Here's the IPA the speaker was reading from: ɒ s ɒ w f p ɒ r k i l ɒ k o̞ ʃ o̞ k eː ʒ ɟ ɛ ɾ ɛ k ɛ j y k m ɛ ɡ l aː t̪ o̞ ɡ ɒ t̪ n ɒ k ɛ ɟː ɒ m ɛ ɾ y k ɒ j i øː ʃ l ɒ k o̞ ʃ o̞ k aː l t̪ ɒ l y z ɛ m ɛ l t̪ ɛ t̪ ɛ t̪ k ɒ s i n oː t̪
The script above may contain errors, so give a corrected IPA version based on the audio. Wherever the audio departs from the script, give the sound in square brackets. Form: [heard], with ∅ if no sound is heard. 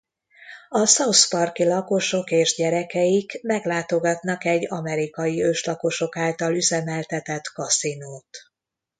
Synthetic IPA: ɒ s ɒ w [s] p ɒ r k i l ɒ k o̞ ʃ o̞ k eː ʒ ɟ ɛ ɾ ɛ k ɛ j [i] k m ɛ ɡ l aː t̪ o̞ ɡ ɒ t̪ n ɒ k ɛ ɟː ɒ m ɛ ɾ [i] k ɒ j i øː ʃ l ɒ k o̞ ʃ o̞ k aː l t̪ ɒ l y z ɛ m ɛ l t̪ ɛ t̪ ɛ t̪ k ɒ s i n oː t̪